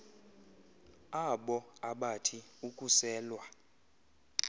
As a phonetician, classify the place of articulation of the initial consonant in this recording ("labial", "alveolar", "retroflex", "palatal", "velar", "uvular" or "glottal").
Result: labial